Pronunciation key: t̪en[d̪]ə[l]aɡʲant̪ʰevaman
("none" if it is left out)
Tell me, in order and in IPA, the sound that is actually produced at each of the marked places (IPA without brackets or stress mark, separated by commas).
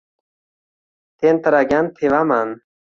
t̪, ɾ